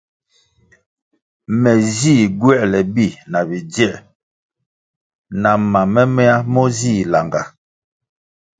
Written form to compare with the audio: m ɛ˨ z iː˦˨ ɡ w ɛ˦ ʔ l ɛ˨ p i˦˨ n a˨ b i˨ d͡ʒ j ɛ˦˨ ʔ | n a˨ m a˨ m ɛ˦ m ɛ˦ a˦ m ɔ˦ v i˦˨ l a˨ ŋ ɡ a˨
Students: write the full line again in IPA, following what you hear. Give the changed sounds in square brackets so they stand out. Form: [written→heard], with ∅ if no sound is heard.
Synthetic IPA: m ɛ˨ z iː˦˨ ɡ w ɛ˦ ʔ l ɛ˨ [p→b] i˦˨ n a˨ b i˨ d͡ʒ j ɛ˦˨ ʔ | n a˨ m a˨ m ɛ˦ m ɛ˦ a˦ m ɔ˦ [v→z] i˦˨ l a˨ ŋ ɡ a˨